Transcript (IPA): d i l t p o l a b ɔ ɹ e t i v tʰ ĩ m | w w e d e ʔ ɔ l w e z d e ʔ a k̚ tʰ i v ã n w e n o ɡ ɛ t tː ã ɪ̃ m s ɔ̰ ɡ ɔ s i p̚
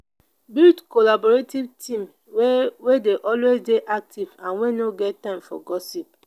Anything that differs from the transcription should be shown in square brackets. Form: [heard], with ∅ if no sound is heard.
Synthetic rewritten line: [b] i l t [k] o l a b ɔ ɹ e t i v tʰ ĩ m | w w e d e ʔ ɔ l w e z d e ʔ a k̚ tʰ i v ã n w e n o ɡ ɛ t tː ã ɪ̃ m [f] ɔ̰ ɡ ɔ s i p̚